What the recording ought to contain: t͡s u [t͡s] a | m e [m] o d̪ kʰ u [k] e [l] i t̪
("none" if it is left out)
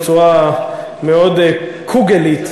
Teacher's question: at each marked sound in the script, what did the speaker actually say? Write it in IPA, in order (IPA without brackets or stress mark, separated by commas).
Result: none, none, ɡ, l